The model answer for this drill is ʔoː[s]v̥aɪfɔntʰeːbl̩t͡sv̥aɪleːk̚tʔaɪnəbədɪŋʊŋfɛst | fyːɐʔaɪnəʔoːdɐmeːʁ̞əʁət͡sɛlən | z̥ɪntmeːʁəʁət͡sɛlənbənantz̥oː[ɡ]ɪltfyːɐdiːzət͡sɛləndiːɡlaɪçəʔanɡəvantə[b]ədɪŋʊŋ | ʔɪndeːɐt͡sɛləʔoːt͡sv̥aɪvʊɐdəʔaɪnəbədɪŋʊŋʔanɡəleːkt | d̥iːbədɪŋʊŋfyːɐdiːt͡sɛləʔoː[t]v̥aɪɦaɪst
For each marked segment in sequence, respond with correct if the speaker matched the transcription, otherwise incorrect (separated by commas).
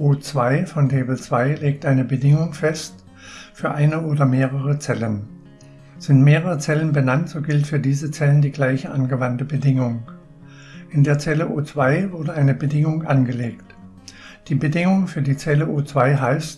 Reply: incorrect, correct, correct, incorrect